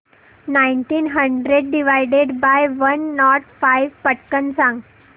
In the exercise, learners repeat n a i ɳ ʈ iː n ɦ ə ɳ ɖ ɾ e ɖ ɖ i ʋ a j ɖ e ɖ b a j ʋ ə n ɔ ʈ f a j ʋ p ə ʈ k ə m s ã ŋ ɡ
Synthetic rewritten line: n a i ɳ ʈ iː n ɦ ə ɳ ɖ ɾ e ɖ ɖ i ʋ a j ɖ e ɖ b a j ʋ ə nː ɔ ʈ f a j ʋ p ə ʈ k ə n s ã ŋ ɡ